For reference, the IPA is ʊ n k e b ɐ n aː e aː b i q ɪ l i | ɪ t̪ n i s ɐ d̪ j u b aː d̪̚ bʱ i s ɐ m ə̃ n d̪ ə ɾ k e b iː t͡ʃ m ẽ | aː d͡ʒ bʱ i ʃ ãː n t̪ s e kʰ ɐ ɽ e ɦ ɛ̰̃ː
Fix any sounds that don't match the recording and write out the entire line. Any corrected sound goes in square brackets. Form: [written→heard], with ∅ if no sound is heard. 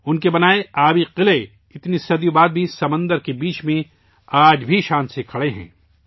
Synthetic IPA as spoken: ʊ n k e b ɐ n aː e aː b i q ɪ l [i→e] | ɪ t̪ n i s ɐ d̪ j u b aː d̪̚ bʱ i s ɐ m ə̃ n d̪ ə ɾ k e b iː t͡ʃ m ẽ | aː d͡ʒ bʱ i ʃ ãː n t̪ s e kʰ ɐ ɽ e ɦ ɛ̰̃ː